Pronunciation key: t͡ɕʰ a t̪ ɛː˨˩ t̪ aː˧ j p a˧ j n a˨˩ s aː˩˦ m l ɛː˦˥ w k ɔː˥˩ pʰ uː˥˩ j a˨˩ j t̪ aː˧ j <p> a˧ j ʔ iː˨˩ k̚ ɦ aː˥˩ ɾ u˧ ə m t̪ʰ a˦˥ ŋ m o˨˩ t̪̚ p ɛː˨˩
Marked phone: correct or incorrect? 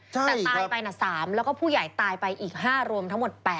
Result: correct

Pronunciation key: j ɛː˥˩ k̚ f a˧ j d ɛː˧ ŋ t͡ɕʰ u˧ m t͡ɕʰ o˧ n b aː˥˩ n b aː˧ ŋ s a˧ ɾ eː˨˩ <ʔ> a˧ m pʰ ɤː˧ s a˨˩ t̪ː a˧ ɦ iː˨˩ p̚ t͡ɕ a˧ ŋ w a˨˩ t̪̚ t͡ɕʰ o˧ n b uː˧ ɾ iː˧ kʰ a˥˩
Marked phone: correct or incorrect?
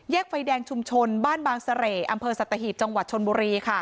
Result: correct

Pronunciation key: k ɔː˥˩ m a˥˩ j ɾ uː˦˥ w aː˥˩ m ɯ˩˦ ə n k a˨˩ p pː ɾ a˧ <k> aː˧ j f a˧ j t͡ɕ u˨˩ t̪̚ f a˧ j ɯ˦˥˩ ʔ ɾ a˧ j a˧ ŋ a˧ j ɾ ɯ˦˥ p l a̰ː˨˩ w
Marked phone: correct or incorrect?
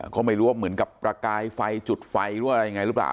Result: correct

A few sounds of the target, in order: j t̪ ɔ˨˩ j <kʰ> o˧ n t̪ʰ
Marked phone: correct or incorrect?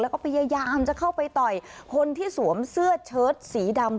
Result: correct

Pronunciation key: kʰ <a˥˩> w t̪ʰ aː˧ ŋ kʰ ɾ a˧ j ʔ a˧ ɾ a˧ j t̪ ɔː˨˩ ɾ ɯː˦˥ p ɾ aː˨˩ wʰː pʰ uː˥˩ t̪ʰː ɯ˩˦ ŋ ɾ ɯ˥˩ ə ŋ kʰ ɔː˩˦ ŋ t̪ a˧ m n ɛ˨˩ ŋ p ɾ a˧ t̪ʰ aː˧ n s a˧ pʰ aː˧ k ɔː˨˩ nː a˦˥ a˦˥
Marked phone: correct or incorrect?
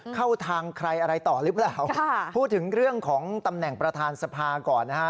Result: correct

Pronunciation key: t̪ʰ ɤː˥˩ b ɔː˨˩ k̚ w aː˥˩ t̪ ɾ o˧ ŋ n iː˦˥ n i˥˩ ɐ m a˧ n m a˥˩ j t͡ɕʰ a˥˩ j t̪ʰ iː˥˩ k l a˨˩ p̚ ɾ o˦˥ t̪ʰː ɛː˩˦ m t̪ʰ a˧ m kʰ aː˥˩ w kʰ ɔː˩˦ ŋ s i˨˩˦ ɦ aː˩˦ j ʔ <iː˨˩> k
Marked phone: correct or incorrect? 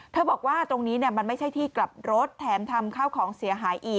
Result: correct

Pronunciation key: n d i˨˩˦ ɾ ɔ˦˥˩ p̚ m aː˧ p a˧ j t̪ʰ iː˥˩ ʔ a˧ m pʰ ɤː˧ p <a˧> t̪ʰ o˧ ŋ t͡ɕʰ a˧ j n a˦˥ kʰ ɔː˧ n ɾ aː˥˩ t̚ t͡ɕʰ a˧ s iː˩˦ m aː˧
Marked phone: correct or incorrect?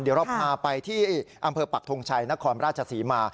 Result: incorrect: a˨˩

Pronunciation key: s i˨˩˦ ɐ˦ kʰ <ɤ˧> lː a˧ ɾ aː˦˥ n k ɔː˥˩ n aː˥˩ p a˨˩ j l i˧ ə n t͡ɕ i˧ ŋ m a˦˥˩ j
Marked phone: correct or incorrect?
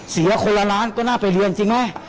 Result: incorrect: o˧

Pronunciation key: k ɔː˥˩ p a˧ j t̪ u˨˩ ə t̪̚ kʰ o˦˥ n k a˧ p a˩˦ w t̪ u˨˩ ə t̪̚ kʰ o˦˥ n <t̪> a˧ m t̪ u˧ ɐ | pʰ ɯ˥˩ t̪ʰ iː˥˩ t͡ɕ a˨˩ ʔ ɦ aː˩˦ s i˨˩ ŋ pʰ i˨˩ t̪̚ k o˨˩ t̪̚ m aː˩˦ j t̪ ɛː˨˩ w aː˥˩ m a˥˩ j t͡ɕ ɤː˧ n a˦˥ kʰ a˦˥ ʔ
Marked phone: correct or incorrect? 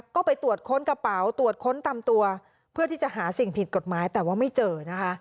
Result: correct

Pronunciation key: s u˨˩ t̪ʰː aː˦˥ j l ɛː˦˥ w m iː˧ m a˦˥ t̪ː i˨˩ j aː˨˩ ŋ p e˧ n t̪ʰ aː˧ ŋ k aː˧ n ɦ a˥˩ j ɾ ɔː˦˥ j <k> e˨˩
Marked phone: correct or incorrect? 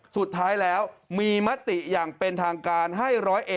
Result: incorrect: ʔ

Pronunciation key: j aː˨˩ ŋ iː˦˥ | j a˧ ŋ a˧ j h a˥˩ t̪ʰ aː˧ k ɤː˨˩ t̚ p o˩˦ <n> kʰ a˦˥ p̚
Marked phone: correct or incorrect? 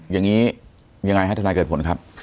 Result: correct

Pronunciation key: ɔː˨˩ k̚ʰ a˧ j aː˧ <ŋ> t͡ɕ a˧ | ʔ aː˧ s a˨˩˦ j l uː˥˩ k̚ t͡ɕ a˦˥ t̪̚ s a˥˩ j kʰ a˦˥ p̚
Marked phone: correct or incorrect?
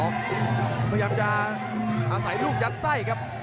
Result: incorrect: m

